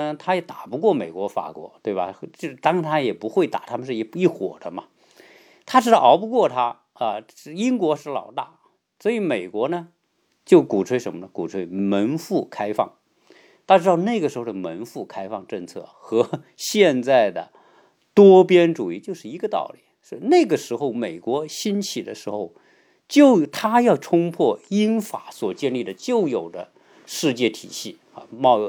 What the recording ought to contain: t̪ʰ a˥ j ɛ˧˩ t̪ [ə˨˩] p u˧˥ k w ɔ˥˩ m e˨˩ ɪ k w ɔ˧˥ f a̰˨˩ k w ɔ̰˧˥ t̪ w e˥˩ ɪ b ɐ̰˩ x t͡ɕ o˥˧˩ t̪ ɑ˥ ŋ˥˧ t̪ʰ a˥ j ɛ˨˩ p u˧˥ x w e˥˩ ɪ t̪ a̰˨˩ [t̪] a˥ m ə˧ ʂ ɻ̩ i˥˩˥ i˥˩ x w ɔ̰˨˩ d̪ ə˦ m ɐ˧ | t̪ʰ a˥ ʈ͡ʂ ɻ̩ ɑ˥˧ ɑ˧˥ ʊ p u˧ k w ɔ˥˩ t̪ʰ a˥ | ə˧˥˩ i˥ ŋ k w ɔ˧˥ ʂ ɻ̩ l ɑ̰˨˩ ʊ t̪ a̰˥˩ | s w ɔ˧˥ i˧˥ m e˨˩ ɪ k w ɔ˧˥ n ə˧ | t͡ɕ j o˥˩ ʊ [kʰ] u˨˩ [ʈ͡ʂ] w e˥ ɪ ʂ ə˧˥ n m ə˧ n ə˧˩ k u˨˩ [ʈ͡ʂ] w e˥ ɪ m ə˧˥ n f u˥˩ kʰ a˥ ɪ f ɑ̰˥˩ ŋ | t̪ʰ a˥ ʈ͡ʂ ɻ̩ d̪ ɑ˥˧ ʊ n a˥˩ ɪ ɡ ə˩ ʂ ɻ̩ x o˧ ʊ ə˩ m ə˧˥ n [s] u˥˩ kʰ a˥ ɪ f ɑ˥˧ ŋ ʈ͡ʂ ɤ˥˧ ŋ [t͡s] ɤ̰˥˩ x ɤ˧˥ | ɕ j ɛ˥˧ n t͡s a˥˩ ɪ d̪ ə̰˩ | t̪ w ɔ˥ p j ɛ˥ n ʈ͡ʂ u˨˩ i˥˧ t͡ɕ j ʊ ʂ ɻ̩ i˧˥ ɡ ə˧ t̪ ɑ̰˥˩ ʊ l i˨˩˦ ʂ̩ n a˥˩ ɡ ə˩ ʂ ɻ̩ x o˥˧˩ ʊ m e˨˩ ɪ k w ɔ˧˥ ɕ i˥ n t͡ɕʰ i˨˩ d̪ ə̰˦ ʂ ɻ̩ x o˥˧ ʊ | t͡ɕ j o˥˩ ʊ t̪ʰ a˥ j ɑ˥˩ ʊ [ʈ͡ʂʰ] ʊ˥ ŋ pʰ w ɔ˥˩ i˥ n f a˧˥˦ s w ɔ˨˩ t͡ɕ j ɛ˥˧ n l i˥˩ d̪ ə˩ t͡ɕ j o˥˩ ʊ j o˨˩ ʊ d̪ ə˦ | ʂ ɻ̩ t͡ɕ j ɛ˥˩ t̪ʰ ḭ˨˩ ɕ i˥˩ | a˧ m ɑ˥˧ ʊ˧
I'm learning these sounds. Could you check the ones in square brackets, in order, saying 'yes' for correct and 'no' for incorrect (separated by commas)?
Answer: no, no, no, no, no, no, no, yes